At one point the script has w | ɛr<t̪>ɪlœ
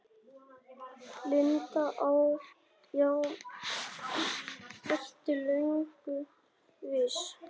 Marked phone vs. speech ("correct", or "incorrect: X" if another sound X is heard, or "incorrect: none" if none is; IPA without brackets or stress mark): correct